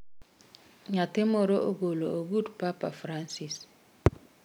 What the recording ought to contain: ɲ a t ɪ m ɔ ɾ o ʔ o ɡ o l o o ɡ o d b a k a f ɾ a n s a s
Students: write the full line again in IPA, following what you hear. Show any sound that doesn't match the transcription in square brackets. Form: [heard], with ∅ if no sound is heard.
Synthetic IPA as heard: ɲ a t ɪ m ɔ ɾ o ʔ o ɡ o l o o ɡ [u] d [p] a [p] a f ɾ a n s [i] s